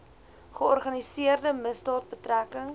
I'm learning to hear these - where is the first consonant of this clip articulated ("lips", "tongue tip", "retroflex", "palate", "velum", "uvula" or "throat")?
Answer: uvula